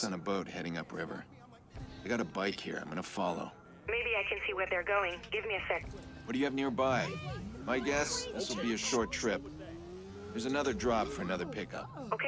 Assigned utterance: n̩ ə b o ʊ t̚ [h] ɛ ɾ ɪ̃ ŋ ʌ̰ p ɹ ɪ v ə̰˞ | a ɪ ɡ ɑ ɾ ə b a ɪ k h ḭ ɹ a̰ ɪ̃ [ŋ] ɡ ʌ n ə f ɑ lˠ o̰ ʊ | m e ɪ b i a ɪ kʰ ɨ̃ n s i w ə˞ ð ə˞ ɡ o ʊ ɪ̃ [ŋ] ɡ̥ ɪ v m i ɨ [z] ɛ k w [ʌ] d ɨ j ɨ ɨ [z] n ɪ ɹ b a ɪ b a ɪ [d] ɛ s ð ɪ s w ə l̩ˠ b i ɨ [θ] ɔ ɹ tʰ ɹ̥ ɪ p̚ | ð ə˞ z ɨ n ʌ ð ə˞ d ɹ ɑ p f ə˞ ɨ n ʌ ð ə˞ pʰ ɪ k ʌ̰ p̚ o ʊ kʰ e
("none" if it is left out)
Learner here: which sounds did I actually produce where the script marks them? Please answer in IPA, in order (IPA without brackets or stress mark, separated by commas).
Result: h, m, ŋ, s, ʌ, v, ɡ, ʃ